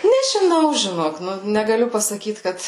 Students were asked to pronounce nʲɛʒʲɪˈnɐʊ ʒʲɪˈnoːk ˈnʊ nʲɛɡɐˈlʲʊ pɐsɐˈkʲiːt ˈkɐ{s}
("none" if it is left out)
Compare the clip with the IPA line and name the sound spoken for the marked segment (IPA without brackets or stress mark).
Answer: t